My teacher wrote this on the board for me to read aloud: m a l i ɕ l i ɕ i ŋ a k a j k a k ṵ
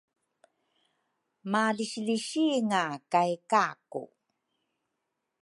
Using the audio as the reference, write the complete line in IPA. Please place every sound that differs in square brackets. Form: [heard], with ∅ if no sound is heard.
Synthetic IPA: m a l i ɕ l i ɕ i ŋ a k a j k a k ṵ